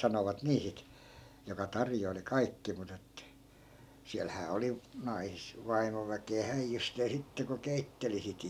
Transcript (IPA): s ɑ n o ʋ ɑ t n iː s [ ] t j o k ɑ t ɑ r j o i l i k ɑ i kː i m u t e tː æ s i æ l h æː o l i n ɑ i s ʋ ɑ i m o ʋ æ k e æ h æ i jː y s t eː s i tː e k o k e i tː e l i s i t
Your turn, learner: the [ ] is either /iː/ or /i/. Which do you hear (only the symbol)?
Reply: i